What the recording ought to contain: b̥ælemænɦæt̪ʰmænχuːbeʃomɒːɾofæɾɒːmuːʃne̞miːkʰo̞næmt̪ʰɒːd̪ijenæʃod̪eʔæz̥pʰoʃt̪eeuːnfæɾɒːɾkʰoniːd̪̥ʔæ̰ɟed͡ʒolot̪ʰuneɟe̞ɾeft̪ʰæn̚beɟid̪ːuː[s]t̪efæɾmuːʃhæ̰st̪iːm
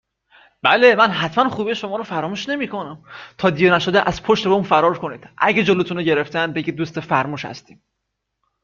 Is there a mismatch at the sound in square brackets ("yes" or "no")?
no